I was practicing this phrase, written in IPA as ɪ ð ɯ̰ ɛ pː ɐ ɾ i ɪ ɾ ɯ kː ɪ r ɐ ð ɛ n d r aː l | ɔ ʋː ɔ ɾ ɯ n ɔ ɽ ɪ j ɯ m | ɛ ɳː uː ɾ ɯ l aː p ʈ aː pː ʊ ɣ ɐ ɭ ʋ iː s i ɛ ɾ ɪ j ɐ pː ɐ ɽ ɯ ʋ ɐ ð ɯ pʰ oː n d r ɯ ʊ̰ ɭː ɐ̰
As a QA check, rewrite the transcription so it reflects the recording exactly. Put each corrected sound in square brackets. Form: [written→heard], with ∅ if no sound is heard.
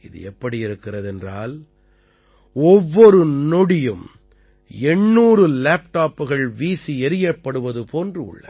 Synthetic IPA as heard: ɪ ð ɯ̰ ɛ pː ɐ [ɾ→ɽ] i ɪ ɾ ɯ kː ɪ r ɐ ð ɛ n d r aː l | ɔ ʋː ɔ ɾ ɯ n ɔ ɽ ɪ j ɯ m | ɛ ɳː uː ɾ ɯ l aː p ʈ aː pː [ʊ→ɯ] ɣ ɐ ɭ ʋ iː s i ɛ ɾ ɪ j ɐ pː ɐ ɽ ɯ ʋ ɐ ð ɯ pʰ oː n d r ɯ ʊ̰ ɭː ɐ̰